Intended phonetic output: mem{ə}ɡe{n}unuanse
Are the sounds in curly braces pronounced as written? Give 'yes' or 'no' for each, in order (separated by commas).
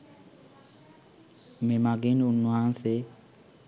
no, yes